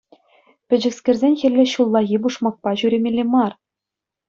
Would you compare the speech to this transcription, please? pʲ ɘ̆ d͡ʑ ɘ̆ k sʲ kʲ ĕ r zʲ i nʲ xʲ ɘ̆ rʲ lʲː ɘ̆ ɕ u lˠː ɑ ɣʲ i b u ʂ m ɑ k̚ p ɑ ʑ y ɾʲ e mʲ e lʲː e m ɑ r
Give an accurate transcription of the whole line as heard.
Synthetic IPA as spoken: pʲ ɘ̆ d͡ʑ ɘ̆ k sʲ kʲ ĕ r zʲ e nʲ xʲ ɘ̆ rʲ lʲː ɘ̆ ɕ u lˠː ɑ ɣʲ i b u ʂ m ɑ k̚ p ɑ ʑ y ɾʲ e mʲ e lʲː e m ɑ r